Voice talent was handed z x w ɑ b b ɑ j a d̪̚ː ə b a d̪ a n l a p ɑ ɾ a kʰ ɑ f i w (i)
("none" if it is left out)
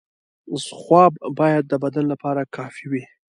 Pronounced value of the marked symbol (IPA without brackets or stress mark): i